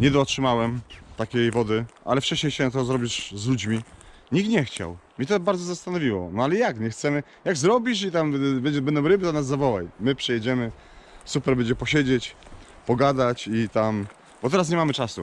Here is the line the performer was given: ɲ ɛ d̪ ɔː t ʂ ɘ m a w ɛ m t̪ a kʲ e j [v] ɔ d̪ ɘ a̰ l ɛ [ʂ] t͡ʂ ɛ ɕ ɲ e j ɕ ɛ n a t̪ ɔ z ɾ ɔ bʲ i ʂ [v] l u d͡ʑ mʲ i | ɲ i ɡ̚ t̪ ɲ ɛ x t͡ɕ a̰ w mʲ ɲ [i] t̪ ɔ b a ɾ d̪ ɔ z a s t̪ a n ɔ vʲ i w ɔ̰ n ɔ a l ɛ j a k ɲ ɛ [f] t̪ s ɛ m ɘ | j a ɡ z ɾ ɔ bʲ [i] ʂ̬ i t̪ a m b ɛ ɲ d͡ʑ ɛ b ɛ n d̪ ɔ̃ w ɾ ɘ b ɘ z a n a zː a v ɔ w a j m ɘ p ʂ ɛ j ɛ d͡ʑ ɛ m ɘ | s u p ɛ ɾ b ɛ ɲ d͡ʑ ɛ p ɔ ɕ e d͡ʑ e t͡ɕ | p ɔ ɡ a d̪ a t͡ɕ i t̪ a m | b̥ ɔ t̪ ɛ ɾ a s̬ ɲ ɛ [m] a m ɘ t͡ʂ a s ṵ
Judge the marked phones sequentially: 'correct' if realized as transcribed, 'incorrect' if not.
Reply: correct, incorrect: f, incorrect: z, incorrect: ɛ, incorrect: x, correct, correct

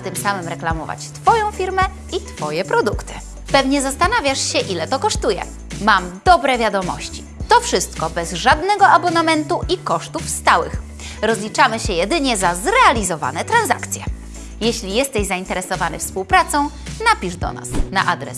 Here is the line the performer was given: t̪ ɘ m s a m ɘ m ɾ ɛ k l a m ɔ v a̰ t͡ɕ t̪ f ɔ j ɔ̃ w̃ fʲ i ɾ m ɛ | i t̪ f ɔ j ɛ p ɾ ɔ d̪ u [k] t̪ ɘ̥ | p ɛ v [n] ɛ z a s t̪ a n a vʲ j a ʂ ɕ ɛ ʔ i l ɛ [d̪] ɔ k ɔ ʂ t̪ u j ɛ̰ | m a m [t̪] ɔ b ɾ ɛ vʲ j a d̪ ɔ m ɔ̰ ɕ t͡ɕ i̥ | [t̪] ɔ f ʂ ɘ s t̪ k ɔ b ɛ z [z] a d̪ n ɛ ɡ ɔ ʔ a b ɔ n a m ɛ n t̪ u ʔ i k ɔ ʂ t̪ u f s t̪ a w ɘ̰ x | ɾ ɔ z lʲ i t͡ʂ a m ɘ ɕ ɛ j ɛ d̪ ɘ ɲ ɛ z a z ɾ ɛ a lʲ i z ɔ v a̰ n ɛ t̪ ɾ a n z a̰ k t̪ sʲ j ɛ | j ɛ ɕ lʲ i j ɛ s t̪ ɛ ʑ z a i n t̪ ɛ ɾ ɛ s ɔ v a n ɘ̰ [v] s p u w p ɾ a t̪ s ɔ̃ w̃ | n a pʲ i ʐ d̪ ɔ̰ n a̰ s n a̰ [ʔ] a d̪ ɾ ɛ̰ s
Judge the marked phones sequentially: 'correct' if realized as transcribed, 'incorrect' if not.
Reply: correct, incorrect: ɲ, incorrect: t̪, incorrect: d̪, correct, incorrect: ʐ, incorrect: f, correct

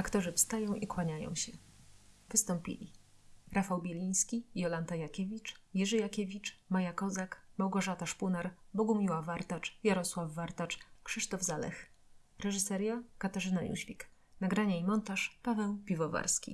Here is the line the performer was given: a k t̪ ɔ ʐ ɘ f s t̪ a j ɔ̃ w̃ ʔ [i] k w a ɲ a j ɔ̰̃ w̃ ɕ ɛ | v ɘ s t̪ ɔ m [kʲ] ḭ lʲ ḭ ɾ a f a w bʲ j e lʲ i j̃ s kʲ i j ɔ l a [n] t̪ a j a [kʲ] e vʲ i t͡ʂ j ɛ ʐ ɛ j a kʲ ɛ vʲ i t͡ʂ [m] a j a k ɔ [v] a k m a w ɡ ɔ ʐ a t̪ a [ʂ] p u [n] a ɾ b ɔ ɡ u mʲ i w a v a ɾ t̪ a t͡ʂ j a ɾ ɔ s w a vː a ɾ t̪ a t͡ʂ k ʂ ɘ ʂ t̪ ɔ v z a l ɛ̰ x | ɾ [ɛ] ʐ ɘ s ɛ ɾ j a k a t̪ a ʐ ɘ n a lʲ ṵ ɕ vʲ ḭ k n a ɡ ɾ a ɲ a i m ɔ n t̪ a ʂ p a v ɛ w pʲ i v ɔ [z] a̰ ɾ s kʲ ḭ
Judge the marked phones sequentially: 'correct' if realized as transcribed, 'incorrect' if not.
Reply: correct, incorrect: pʲ, correct, correct, correct, incorrect: z, correct, correct, correct, incorrect: v

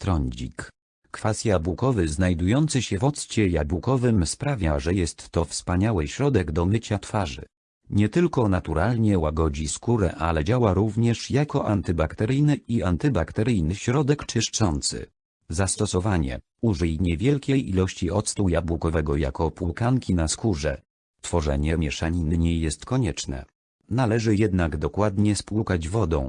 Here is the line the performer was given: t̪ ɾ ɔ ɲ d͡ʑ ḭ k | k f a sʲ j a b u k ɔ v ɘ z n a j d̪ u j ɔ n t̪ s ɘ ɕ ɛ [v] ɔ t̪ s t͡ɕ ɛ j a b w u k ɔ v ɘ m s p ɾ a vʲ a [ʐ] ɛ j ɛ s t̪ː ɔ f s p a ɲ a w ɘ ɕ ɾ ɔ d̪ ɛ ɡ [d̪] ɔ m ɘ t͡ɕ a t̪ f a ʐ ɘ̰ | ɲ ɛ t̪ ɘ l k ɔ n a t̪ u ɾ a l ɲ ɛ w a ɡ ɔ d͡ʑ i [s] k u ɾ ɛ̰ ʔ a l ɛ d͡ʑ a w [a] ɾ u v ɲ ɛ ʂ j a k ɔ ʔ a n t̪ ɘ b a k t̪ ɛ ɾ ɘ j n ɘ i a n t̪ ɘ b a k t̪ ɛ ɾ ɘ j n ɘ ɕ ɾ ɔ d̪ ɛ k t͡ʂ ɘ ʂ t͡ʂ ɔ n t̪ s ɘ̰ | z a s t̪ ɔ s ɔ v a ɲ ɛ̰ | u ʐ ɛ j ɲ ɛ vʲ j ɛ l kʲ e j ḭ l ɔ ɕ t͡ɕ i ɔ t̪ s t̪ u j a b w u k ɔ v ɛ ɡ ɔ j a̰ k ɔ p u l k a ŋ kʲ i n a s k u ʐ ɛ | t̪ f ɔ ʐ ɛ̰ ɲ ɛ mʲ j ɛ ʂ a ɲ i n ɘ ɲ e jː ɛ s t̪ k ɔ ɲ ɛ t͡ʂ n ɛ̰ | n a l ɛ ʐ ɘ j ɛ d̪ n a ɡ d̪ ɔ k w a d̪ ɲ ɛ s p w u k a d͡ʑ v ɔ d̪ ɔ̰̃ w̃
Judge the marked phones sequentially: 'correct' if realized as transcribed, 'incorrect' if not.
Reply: correct, correct, correct, correct, correct

